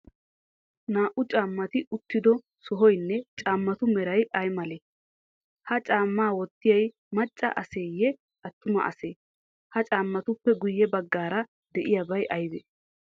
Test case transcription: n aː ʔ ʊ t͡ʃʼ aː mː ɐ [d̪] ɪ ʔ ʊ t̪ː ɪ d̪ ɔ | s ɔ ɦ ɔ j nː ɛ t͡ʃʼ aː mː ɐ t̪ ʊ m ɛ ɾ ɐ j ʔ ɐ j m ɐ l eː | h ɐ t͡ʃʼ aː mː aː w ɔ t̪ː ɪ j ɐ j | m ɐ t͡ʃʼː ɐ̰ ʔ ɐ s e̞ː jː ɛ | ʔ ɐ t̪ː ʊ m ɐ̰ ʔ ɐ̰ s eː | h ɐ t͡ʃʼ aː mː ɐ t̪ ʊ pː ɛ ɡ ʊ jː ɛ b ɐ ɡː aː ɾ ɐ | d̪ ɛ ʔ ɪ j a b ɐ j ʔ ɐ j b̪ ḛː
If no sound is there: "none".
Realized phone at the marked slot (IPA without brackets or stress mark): t̪